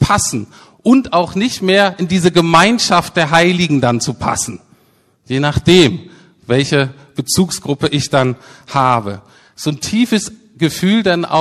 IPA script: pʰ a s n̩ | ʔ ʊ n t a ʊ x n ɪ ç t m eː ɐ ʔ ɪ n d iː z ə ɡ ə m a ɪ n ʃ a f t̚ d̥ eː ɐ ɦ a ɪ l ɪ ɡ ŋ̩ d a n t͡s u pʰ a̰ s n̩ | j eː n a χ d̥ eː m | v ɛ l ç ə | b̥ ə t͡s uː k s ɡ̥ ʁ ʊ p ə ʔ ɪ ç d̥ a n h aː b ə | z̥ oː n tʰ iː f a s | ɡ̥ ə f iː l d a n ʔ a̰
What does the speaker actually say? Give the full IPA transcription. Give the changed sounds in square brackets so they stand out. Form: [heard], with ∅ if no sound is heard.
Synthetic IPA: pʰ a s n̩ | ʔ ʊ n t a ʊ x n ɪ ç t m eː ɐ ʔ ɪ n d iː z ə ɡ ə m a ɪ n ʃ a f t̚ d̥ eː ɐ ɦ a ɪ l ɪ ɡ ŋ̩ d a n t͡s u pʰ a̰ s n̩ | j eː n a χ d̥ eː m | v ɛ l ç ə | b̥ ə t͡s uː k s ɡ̥ ʁ ʊ p ə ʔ ɪ ç d̥ a n h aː b ə | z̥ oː n tʰ iː f [ə] s | ɡ̥ ə f [yː] l d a n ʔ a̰